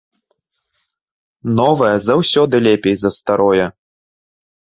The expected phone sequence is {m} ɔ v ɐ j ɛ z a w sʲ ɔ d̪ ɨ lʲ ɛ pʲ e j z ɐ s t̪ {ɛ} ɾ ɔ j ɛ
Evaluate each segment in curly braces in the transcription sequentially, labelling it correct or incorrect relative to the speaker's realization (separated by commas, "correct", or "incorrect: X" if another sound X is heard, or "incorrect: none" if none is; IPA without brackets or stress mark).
incorrect: n, incorrect: a